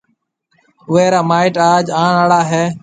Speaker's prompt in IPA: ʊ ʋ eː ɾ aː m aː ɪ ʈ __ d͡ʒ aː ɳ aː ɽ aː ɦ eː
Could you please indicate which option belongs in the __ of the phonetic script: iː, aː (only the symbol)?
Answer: aː